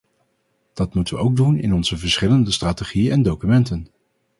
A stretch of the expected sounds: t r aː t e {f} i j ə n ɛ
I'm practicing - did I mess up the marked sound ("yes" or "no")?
yes